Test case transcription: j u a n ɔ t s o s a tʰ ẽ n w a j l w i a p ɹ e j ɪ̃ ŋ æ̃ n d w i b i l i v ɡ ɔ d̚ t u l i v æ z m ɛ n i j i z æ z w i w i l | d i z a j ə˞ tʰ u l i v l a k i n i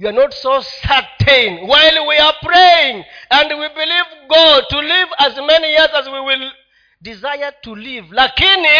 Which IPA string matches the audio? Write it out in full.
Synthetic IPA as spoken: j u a n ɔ t s o s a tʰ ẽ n w a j l w i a p ɹ e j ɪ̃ ŋ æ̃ n d w i b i l i v ɡ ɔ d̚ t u l i v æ z m ɛ n i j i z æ z w i w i l | d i z a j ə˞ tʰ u l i v l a k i n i